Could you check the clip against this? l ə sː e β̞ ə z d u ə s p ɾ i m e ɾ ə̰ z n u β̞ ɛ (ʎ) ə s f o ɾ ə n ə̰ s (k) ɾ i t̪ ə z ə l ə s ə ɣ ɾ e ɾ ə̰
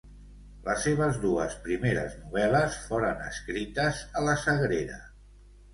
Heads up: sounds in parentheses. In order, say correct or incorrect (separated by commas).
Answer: incorrect, correct